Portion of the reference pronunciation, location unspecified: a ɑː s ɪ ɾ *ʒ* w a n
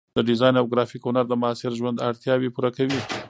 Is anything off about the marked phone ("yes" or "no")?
no